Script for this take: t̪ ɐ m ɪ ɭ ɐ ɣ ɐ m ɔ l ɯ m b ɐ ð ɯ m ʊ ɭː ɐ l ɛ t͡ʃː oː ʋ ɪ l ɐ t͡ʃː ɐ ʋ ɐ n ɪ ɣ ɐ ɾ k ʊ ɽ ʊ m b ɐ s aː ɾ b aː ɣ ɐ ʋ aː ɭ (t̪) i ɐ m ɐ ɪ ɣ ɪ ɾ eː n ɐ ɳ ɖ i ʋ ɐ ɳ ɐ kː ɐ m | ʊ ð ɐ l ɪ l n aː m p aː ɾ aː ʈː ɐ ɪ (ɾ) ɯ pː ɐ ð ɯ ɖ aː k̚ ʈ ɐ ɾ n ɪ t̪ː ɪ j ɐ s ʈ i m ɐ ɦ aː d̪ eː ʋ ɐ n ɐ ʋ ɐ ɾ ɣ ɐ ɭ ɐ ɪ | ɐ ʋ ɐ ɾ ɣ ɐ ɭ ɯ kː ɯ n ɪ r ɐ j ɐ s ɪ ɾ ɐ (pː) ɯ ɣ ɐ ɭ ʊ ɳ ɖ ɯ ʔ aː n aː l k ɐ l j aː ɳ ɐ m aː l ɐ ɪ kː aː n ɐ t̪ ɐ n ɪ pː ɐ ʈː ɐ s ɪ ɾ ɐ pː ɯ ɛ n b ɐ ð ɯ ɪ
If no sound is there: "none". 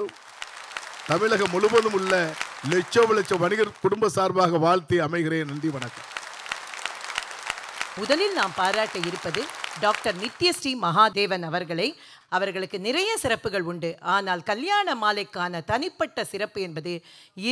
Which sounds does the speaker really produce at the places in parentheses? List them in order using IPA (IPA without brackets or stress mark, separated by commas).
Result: t̪, ɾ, pː